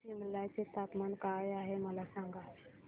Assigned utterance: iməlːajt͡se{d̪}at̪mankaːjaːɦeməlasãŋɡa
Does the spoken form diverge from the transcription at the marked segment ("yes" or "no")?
yes